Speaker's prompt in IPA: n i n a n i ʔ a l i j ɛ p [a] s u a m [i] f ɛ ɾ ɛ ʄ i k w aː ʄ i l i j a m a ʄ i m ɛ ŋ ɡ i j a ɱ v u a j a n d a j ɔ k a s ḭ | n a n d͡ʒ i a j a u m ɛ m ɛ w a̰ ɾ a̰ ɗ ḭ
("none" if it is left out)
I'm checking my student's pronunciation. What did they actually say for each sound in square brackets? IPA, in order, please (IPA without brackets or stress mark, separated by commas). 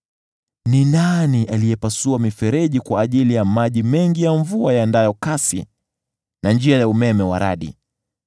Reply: a, i